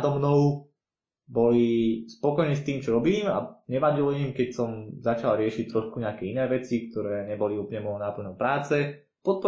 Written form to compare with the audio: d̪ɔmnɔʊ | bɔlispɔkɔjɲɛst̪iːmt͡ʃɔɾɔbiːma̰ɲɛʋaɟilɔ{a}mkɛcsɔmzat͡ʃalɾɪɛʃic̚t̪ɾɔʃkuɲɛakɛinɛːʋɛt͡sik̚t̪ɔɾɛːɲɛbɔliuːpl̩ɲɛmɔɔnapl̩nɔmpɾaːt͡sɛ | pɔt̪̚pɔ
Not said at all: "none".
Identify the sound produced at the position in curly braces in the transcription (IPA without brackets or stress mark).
i